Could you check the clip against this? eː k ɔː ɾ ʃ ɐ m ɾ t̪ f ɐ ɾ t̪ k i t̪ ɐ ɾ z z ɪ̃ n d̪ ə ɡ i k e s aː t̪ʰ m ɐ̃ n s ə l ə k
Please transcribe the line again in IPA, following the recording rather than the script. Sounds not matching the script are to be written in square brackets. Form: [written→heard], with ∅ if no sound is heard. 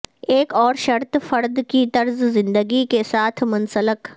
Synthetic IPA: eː k ɔː ɾ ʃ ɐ [m→∅] ɾ t̪ f ɐ ɾ [t̪→d̪] k i t̪ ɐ ɾ z z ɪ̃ n d̪ ə ɡ i k e s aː t̪ʰ m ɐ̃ n s ə l ə k